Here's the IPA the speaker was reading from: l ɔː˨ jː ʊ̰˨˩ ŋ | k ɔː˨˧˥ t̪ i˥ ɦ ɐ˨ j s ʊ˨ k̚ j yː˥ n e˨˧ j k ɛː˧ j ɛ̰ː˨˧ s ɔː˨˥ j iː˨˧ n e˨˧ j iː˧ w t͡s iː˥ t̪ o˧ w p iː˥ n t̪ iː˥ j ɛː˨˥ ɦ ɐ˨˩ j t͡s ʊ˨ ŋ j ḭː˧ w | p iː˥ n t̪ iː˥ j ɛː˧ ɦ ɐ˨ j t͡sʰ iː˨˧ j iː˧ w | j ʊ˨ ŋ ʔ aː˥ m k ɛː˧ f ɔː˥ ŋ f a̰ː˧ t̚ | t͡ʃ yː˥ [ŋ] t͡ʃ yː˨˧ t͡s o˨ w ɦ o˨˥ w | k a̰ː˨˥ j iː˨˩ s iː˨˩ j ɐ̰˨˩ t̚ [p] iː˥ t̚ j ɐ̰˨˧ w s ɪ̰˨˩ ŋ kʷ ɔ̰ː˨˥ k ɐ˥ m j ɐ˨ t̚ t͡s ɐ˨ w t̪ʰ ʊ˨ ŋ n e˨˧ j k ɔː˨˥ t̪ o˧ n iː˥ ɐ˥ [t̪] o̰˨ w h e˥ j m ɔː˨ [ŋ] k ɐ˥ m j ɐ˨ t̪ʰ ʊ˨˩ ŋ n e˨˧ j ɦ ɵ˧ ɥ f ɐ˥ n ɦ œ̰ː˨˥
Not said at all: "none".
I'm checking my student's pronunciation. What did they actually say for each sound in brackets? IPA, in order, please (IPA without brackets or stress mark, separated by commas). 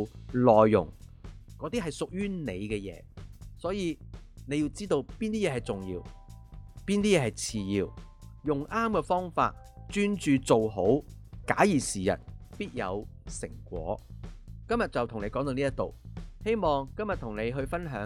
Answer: n, p, t̪, ŋ